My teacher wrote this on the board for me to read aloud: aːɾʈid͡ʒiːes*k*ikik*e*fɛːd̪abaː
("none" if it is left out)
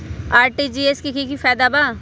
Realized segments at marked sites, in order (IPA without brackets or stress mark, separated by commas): k, i